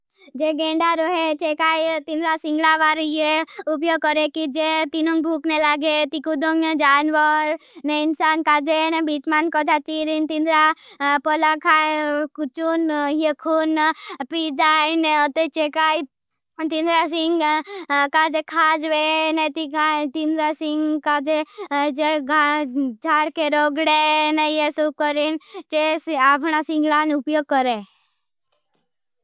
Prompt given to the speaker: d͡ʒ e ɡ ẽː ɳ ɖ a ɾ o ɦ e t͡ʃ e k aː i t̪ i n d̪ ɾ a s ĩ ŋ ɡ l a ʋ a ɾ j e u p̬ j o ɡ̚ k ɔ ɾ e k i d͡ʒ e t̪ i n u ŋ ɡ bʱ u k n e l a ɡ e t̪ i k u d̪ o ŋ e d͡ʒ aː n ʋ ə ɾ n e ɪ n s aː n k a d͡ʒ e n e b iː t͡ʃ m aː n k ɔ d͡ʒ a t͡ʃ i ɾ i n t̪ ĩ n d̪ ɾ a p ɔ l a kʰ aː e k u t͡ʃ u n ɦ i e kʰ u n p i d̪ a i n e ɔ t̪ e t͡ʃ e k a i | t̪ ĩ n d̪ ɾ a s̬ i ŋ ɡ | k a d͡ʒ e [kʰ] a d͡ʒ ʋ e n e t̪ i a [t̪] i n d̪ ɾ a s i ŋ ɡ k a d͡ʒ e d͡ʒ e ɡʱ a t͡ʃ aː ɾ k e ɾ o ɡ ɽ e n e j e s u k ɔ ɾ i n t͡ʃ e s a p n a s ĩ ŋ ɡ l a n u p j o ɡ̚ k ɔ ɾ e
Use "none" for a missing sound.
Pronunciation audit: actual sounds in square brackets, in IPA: kʰ, t̪

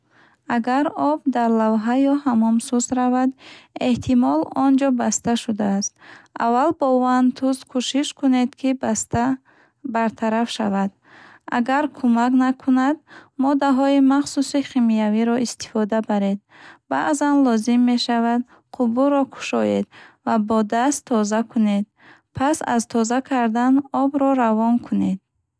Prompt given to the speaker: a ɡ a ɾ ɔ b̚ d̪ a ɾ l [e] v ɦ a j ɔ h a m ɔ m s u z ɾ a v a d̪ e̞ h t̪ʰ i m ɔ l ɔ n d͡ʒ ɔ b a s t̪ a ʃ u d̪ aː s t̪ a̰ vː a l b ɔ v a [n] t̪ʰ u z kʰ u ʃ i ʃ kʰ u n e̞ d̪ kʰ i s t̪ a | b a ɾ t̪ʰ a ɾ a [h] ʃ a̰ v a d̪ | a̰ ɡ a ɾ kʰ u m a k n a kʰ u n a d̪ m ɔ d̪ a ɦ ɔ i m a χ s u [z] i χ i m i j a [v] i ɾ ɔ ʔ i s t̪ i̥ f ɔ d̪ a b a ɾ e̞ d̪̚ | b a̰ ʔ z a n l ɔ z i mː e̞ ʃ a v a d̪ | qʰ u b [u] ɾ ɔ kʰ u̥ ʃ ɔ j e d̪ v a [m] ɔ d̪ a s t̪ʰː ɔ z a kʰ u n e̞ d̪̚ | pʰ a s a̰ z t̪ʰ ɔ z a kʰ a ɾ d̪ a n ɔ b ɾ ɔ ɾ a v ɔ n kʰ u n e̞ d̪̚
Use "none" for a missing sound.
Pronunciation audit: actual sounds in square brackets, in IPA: a, n, f, s, v, u, b

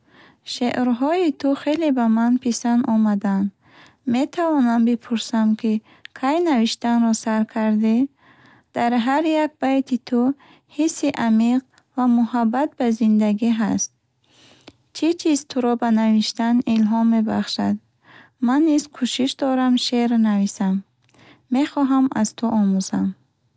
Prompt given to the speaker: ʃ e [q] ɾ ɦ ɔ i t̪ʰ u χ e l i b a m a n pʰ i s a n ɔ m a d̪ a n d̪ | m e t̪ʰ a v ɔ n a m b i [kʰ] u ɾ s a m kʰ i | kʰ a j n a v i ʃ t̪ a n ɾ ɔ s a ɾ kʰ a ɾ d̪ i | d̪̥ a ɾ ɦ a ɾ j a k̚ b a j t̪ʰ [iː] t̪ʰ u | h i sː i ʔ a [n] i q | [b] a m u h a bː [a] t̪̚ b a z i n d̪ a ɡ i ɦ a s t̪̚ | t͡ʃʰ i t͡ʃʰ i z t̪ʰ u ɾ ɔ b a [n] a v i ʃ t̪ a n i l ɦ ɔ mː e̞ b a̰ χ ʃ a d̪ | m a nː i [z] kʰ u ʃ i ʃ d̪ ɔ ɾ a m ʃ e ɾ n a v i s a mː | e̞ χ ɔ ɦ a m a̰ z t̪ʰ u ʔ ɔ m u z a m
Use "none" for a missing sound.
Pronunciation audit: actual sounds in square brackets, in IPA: ʔ, pʰ, i, m, v, a, n, z

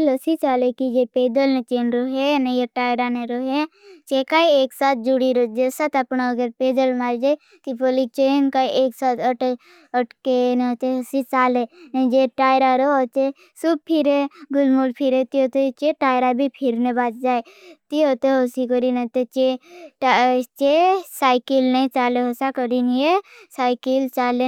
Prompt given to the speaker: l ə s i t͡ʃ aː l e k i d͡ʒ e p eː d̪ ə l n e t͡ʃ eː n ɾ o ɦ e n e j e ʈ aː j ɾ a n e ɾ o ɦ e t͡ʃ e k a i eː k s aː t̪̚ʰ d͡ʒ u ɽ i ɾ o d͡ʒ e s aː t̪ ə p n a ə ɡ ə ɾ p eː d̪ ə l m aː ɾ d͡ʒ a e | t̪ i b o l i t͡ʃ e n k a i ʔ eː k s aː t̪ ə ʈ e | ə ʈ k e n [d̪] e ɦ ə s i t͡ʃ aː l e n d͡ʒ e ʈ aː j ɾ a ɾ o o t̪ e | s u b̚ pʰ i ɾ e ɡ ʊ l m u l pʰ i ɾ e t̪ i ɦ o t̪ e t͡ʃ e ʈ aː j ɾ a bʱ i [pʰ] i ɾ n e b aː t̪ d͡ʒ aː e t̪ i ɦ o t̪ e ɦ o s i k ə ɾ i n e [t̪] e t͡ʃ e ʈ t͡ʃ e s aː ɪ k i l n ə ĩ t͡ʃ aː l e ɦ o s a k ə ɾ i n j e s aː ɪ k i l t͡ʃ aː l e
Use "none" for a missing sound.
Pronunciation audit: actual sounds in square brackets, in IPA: t̪, pʰ, t̪

